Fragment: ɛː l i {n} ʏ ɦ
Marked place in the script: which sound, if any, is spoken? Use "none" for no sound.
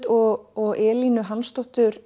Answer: n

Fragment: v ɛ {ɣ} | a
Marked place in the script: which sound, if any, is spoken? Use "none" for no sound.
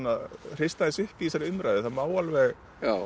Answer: ɣ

